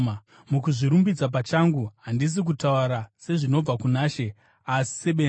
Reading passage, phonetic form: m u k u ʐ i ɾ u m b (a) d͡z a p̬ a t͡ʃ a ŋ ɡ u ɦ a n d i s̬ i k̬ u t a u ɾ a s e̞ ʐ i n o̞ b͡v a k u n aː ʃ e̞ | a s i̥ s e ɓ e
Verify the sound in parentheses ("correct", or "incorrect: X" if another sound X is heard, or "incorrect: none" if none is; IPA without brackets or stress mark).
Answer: incorrect: i